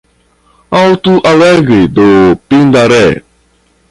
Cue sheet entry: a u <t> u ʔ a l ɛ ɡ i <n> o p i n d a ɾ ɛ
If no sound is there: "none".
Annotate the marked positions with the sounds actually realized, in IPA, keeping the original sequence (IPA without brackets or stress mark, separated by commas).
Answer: t, d